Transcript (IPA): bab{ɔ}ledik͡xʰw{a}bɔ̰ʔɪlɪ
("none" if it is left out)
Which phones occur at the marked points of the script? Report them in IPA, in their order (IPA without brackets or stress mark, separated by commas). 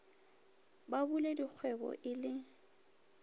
u, ɛ